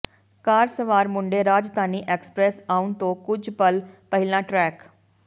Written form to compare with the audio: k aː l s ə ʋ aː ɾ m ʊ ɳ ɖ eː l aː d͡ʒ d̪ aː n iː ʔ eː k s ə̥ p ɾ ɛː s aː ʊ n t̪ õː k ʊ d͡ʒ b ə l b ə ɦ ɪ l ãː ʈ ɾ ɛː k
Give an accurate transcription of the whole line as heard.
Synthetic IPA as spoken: k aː ɾ s ə ʋ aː ɾ m ʊ ɳ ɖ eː ɾ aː d͡ʒ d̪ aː n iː ʔ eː k s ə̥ p ɾ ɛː s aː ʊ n t̪ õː k ʊ d͡ʒ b ə l p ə ɦ ɪ l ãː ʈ ɾ ɛː k